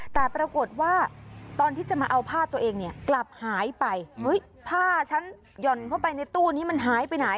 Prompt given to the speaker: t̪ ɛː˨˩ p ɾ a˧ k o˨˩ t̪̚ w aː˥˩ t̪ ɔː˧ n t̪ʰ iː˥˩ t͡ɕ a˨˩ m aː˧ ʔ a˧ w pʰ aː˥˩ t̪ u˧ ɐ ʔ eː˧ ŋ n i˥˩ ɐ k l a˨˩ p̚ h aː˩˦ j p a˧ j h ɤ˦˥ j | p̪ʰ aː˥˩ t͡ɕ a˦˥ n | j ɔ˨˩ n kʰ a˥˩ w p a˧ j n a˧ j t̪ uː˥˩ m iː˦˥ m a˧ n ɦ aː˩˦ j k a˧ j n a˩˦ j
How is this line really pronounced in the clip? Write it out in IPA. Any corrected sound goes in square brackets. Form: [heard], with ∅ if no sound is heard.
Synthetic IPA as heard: t̪ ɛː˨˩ p ɾ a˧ k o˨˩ t̪̚ w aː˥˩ t̪ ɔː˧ n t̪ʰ iː˥˩ t͡ɕ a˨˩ m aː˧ ʔ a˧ w pʰ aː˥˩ t̪ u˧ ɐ ʔ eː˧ ŋ n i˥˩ ɐ k l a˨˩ p̚ h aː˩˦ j p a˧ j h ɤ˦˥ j | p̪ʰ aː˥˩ [t͡ɕʰ] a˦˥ n | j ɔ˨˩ n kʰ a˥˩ w p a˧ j n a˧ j t̪ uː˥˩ [n] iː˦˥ m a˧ n ɦ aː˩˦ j [p] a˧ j n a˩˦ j